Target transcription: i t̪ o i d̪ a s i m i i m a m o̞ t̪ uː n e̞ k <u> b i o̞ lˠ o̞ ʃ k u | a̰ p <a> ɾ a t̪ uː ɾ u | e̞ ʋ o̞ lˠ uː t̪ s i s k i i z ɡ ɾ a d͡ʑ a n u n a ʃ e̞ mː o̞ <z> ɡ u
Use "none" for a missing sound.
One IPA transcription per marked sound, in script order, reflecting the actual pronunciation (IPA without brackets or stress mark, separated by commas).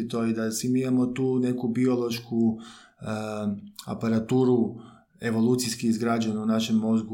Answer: u, a, z